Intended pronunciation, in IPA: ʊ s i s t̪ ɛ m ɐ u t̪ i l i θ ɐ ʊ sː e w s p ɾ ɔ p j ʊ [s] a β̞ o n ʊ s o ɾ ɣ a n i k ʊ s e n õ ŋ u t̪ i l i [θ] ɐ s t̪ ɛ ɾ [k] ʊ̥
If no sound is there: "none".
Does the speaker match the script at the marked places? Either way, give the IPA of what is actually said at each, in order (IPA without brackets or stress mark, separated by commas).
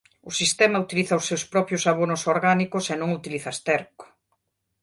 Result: s, θ, k